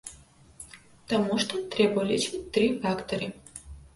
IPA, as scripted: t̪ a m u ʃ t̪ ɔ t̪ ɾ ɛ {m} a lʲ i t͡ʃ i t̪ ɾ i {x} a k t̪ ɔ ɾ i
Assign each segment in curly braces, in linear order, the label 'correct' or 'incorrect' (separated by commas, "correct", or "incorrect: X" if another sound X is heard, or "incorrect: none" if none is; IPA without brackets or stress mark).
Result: incorrect: b, incorrect: f